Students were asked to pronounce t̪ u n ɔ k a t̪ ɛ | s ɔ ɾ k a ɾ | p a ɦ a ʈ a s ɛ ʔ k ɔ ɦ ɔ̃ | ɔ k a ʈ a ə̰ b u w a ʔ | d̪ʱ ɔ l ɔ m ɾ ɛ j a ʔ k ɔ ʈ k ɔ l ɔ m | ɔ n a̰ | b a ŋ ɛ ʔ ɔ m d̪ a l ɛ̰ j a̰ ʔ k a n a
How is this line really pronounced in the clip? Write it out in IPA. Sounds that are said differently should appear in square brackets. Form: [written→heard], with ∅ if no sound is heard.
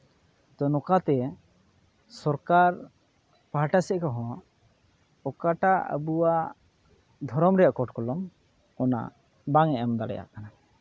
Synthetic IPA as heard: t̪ [u→ɔ] n ɔ k a t̪ ɛ | s ɔ ɾ k a ɾ | p a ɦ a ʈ a s ɛ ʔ k ɔ ɦ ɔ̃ | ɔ k a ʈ a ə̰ b u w a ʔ | d̪ʱ ɔ [l→ɾ] ɔ m ɾ ɛ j a ʔ k ɔ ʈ k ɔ l ɔ m | ɔ n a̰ | b a ŋ ɛ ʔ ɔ m d̪ a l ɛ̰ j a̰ ʔ k a n a